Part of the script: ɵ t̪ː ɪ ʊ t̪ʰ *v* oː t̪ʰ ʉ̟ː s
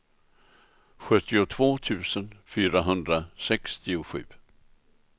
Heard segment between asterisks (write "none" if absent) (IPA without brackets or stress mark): v